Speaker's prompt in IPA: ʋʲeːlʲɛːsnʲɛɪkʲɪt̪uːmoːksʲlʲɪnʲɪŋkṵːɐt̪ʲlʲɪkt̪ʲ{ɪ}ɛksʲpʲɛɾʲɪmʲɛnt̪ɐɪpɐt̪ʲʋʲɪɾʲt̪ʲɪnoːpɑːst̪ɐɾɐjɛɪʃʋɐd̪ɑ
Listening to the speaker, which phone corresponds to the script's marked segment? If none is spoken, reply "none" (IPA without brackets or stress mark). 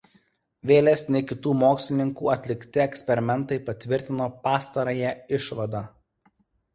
ɪ